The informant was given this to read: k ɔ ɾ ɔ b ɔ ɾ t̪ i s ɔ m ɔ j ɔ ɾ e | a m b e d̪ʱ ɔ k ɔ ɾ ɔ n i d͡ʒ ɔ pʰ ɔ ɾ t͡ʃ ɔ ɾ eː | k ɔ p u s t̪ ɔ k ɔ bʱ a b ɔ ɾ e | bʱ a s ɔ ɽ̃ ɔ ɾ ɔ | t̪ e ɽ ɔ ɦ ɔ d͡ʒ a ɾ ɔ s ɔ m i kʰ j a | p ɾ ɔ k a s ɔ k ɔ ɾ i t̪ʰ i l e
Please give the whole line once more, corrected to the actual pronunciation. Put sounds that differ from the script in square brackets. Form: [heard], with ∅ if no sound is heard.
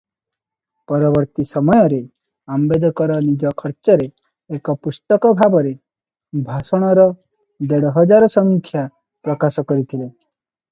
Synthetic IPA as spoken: [p] ɔ ɾ ɔ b ɔ ɾ t̪ i s ɔ m ɔ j ɔ ɾ e | a m b e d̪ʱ ɔ k ɔ ɾ ɔ n i d͡ʒ ɔ [kʰ] ɔ ɾ t͡ʃ ɔ ɾ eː | k ɔ p u s t̪ ɔ k ɔ bʱ a b ɔ ɾ e | bʱ a s ɔ ɽ̃ ɔ ɾ ɔ | [d̪] e ɽ ɔ ɦ ɔ d͡ʒ a ɾ ɔ s ɔ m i kʰ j a | p ɾ ɔ k a s ɔ k ɔ ɾ i t̪ʰ i l e